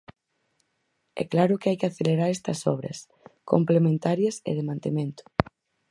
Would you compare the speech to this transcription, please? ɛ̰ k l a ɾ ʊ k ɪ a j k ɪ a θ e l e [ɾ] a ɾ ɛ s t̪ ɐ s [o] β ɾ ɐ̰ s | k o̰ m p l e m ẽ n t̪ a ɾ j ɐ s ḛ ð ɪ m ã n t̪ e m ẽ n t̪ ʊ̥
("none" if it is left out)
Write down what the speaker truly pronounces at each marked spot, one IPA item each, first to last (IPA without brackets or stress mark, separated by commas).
ɾ, ɔ